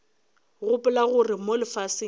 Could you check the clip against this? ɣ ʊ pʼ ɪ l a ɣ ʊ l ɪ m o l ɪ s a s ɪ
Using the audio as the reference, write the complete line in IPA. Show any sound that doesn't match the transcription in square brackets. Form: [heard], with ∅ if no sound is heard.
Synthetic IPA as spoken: ɣ ʊ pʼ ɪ l a ɣ ʊ [r] ɪ m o l ɪ [f] a s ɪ